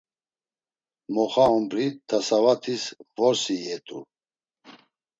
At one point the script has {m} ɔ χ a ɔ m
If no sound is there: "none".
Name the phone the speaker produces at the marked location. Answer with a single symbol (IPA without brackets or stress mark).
m